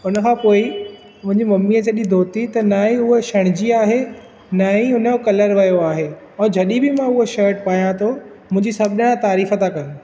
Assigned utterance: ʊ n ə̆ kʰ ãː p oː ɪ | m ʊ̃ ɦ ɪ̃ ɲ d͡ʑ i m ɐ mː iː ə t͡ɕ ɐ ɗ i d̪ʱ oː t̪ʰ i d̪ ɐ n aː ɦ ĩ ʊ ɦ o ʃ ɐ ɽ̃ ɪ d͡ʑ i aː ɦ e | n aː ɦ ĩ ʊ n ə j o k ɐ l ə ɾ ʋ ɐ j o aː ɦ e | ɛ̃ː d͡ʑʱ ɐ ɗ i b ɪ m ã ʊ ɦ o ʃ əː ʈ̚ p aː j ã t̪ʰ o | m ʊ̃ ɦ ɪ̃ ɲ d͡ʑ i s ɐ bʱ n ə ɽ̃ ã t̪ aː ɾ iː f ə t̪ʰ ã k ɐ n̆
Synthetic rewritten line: ʊ n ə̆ kʰ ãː p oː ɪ | m ʊ̃ ɦ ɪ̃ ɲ d͡ʑ i m ɐ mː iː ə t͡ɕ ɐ ɗ i d̪ʱ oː t̪ i t̪ ɐ n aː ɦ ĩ ʊ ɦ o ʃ ɐ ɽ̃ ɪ d͡ʑ i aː ɦ e | n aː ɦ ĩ ʊ n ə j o k ɐ l ə ɾ ʋ ɐ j o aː ɦ e | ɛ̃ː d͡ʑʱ ɐ ɗ i b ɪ m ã ʊ ɦ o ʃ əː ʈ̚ p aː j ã t̪ʰ o | m ʊ̃ ɦ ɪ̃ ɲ d͡ʑ i s ɐ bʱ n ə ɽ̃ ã t̪ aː ɾ iː f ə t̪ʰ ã k ɐ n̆